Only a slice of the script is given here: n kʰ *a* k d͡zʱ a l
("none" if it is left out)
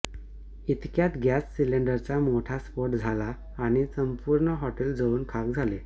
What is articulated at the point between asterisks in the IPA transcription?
a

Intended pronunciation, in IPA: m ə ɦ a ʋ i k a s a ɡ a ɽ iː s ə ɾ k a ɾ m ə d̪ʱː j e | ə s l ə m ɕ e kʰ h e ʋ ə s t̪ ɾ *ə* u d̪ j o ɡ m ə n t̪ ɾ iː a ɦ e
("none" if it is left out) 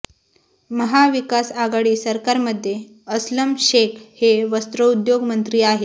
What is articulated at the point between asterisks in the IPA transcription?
ə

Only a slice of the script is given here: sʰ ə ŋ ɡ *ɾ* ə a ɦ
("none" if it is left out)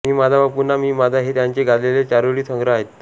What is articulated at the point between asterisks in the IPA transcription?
ɾ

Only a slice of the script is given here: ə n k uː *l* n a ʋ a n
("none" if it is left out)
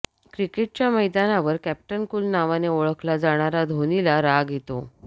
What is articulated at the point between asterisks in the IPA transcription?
l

